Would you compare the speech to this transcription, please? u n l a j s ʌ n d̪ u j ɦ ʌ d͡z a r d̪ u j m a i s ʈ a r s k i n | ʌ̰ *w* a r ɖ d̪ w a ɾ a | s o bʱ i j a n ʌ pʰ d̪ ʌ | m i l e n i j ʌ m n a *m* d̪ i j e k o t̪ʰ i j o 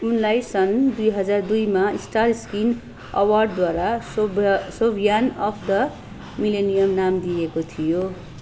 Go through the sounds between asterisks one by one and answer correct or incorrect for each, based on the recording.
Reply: correct, correct

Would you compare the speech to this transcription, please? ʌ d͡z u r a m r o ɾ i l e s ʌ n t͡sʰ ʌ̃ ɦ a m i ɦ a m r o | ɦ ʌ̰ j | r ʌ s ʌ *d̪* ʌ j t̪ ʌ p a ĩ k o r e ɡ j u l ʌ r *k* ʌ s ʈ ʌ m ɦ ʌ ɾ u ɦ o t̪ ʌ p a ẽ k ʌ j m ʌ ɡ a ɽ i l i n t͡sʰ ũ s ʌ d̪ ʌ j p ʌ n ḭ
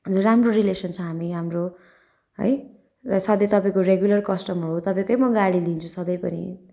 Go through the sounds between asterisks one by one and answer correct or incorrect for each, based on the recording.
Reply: correct, correct

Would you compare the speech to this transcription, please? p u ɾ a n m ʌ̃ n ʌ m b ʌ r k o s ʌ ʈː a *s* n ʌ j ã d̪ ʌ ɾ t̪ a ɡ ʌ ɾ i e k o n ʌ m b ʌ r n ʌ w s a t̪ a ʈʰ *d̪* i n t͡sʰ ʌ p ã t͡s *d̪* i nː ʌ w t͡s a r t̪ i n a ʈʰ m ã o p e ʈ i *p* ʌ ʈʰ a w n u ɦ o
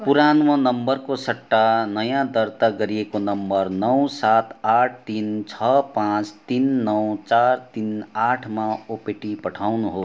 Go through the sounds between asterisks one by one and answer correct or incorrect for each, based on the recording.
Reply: incorrect: none, incorrect: t̪, incorrect: t̪, correct

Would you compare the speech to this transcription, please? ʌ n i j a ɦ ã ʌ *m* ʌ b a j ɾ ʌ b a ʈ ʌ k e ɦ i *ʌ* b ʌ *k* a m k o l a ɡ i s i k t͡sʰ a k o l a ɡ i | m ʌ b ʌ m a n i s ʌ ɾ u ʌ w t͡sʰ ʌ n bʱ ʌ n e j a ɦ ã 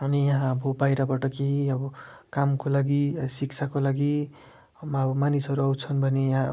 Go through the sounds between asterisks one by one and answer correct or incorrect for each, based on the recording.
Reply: incorrect: b, correct, correct

